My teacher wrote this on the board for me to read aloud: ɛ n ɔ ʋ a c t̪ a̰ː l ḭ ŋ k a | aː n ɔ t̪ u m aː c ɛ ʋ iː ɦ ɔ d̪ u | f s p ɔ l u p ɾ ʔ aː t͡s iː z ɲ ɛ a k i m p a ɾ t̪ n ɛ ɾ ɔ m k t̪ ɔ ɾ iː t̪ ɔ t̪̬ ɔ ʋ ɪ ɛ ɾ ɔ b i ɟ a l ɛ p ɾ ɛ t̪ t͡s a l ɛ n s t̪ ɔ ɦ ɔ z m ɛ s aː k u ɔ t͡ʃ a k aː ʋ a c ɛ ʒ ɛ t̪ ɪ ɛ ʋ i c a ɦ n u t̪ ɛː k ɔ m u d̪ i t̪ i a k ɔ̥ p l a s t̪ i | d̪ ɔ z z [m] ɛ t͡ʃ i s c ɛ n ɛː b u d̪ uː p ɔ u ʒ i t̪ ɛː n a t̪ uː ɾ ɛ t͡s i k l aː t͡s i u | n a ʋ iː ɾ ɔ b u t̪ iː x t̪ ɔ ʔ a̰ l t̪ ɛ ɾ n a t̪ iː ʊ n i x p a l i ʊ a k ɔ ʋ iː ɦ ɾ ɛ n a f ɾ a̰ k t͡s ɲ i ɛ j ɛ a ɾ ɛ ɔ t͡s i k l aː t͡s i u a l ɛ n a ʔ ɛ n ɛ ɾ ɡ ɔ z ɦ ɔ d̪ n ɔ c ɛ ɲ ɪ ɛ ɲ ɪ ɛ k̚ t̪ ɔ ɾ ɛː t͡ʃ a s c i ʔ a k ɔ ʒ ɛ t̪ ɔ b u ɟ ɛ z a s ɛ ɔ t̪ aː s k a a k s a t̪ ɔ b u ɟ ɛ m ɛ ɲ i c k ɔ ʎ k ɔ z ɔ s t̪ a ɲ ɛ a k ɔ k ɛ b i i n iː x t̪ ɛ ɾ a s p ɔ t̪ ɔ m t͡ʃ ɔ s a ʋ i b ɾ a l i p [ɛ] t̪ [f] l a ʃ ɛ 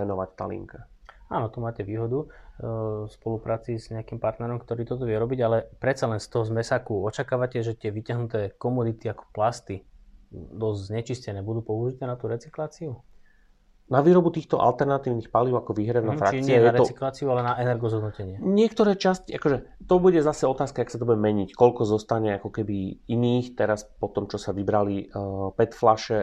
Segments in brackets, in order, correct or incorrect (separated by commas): incorrect, correct, correct